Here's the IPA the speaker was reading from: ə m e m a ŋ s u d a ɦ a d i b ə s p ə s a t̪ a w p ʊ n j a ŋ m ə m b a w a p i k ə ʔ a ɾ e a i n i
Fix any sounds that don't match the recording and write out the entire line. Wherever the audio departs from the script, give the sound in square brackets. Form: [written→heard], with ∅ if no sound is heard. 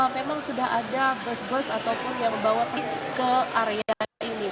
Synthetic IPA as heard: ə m e m a ŋ s u d a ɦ a d [i→a] b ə s [p→b] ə s a t̪ a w p ʊ n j a ŋ m ə m b a w a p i k ə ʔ a ɾ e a i n i